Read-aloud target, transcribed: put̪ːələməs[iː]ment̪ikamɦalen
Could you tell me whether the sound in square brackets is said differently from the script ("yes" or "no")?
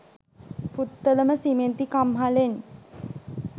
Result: yes